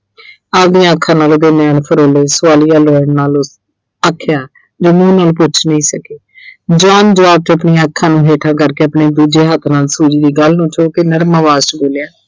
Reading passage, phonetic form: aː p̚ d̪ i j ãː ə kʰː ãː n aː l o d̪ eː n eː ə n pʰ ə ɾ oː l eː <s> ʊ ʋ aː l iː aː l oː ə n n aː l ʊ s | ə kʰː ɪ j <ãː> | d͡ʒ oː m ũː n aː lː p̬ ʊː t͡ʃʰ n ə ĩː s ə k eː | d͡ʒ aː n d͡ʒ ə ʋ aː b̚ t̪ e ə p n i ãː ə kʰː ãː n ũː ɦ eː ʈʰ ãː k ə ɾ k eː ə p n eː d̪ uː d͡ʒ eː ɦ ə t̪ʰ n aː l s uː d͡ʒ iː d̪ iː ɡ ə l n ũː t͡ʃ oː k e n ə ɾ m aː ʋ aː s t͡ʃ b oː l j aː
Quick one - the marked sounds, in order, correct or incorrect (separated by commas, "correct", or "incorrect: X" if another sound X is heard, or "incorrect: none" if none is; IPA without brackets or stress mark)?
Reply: correct, incorrect: aː